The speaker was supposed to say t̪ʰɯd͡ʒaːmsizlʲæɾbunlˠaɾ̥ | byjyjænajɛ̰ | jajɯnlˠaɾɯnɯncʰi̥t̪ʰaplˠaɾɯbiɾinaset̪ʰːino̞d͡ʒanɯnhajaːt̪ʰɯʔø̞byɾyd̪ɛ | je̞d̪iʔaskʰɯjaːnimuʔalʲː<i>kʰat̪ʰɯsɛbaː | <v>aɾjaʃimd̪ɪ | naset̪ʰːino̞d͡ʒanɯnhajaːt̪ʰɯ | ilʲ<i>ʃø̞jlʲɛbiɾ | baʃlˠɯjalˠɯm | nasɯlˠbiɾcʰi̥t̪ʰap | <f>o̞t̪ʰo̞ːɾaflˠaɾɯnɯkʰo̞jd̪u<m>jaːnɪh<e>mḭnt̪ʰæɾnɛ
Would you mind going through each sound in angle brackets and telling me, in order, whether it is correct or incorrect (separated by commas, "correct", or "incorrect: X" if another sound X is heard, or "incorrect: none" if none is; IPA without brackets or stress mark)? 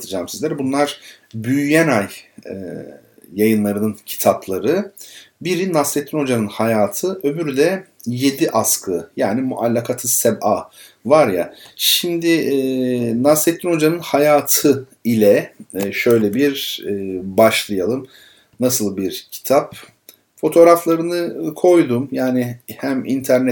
incorrect: a, correct, incorrect: ɛ, correct, correct, incorrect: æ